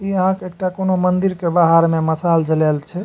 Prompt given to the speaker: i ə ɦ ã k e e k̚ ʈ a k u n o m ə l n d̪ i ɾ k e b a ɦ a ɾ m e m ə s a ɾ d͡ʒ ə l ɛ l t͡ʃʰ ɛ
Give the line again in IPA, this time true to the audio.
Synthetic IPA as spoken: i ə ɦ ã k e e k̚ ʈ a k o n o m ə n d̪ i ɾ k e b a ɦ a ɾ m e m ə s a l d͡ʒ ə l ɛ l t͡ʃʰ ɛ